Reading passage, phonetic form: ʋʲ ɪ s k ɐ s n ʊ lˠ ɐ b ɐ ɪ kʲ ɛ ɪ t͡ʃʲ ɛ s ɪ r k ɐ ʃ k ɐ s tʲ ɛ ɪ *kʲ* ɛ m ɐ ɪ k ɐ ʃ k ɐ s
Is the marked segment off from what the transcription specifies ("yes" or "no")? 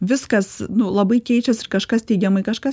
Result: yes